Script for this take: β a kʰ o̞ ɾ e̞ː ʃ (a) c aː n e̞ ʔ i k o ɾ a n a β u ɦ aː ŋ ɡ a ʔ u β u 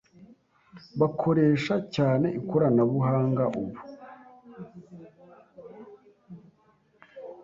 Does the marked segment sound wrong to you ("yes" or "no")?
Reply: no